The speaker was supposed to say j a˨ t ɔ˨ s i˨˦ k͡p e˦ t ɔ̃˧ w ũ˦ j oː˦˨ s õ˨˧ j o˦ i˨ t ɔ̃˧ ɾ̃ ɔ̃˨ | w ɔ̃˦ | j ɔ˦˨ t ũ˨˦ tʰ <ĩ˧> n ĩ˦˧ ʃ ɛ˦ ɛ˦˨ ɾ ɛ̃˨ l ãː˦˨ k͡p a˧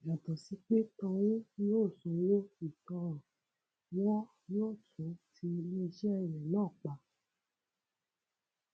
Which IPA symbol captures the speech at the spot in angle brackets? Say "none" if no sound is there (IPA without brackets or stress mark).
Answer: i˧